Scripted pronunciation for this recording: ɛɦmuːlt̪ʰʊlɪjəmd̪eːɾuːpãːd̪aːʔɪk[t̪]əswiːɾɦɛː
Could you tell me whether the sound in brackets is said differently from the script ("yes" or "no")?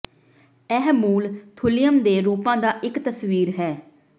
no